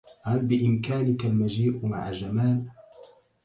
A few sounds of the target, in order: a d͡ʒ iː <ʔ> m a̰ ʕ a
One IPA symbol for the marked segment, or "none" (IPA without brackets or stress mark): ʔ